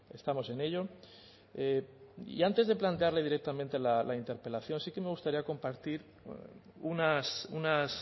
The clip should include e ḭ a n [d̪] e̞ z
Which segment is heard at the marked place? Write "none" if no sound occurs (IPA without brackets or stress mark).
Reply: t̪